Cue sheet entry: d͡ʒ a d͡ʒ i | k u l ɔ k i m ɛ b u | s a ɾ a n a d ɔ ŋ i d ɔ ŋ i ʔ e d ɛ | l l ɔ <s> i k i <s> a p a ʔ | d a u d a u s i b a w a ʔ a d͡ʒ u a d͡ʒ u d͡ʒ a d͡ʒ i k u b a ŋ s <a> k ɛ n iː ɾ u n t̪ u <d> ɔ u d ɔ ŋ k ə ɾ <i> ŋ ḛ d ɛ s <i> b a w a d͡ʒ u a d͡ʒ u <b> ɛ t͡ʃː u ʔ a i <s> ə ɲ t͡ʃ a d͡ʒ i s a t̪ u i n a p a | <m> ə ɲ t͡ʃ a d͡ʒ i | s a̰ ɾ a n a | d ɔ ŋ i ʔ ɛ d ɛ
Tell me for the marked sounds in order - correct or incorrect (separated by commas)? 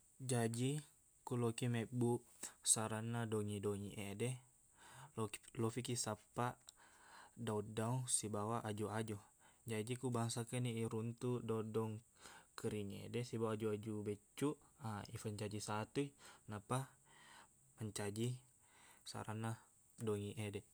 incorrect, correct, correct, correct, correct, correct, correct, incorrect, correct